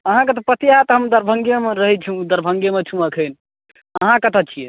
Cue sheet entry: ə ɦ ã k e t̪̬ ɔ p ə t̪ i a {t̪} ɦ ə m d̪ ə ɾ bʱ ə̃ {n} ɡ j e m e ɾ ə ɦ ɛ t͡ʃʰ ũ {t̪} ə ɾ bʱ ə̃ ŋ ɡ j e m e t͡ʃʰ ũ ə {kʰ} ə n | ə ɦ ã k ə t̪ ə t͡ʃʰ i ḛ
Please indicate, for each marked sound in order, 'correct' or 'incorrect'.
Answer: correct, incorrect, incorrect, correct

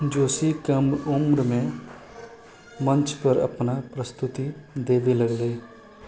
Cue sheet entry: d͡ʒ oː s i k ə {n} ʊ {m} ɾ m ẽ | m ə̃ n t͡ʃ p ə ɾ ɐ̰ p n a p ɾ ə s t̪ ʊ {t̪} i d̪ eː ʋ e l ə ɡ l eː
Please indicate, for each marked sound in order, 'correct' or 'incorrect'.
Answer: incorrect, correct, correct

